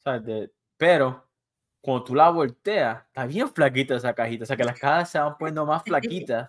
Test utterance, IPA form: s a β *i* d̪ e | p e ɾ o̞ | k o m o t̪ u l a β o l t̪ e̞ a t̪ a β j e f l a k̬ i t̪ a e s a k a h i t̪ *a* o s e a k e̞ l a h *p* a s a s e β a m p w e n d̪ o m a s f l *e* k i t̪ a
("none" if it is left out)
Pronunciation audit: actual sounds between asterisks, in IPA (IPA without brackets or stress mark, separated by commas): e, a, k, a